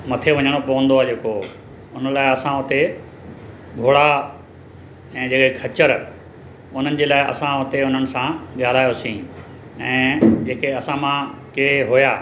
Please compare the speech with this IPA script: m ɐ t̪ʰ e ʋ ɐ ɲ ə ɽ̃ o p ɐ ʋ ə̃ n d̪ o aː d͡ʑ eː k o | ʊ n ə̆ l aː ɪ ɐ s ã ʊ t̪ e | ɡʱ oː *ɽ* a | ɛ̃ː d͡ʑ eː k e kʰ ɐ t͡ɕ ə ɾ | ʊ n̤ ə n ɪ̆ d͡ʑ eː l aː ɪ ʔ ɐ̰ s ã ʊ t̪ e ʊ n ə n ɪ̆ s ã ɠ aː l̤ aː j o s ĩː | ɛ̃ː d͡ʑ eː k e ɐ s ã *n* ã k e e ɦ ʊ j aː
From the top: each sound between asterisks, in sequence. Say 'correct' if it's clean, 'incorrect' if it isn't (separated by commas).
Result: correct, incorrect